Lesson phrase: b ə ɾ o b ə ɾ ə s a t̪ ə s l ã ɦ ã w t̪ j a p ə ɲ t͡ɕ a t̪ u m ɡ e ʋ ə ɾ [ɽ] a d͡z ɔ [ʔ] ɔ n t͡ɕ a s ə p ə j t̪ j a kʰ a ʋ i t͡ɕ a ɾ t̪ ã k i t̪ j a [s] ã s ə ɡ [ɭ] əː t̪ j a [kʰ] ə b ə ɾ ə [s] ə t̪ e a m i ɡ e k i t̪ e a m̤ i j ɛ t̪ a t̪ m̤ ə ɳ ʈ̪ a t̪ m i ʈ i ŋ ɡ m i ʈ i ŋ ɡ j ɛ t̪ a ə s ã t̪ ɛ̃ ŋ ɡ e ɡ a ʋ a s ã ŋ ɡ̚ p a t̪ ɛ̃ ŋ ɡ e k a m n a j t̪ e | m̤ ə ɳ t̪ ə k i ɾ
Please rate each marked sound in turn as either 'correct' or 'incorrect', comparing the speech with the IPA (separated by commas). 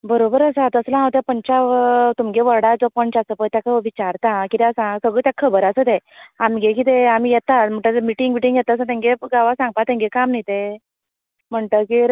correct, incorrect, correct, correct, correct, correct